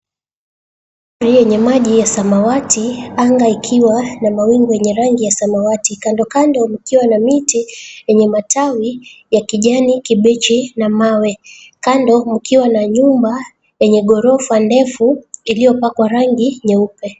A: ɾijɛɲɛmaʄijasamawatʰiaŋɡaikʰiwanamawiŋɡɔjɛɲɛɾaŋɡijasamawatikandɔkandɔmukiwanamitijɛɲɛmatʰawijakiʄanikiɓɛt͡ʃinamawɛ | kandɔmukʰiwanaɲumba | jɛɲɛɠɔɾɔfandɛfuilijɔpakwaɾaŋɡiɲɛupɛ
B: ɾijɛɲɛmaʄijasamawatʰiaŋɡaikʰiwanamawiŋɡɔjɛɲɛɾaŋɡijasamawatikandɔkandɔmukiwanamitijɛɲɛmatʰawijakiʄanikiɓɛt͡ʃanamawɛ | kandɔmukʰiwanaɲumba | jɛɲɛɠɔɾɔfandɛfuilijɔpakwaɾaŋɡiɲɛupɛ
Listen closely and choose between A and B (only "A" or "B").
A